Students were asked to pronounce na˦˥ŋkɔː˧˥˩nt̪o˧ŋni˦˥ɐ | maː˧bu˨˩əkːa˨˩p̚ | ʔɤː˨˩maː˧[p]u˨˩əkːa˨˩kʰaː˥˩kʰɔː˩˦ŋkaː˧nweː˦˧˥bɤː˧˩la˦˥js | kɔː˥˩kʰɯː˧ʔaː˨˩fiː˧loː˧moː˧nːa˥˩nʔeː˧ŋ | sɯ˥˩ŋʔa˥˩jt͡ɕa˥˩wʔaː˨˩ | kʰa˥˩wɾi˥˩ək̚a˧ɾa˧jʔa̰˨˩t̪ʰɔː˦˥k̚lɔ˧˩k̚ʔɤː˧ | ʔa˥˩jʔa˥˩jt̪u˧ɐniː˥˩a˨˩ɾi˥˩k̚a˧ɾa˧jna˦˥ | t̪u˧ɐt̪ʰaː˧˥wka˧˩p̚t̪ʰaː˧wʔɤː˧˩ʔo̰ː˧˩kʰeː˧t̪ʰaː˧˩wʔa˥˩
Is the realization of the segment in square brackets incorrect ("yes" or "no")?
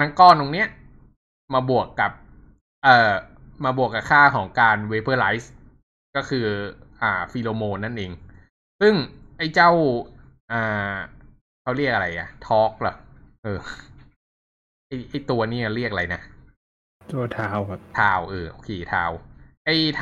yes